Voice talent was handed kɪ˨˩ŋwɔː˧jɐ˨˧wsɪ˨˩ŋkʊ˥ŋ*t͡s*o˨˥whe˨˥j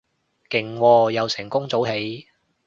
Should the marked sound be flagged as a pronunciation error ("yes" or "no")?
no